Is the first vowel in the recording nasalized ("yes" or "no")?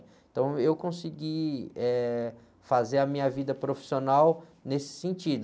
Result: yes